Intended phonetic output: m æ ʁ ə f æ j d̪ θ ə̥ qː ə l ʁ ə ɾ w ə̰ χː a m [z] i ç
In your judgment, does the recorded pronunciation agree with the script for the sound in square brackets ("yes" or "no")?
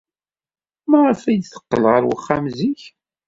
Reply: yes